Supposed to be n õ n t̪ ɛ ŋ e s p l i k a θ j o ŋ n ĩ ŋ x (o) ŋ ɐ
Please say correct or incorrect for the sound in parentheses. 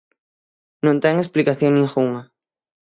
incorrect